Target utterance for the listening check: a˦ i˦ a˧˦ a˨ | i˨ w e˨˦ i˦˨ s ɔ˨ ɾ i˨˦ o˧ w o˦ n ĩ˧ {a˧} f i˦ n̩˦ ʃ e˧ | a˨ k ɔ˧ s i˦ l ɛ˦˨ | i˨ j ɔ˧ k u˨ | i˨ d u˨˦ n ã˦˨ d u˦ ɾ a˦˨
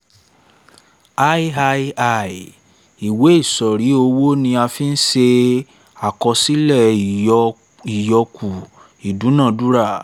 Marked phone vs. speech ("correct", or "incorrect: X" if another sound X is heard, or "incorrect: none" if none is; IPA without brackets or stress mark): correct